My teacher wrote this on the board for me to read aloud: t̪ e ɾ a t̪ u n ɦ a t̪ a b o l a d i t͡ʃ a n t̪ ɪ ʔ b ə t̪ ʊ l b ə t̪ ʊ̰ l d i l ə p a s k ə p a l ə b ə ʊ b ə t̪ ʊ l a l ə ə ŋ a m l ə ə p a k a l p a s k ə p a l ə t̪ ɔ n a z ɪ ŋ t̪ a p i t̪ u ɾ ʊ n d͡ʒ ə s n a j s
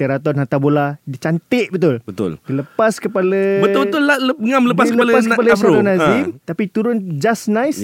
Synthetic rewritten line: t̪ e ɾ a t̪ ɔ n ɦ a t̪ a b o l a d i t͡ʃ a n t̪ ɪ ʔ b ə t̪ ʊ l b ə t̪ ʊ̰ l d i l ə p a s k ə p a l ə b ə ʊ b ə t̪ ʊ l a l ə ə ŋ a m l ə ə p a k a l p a s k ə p a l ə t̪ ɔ n a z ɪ m t̪ a p i t̪ u ɾ ʊ n d͡ʒ a s n a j s